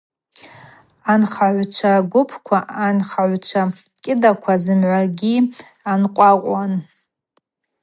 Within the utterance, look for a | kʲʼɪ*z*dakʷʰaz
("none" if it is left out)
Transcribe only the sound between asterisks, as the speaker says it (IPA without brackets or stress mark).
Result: none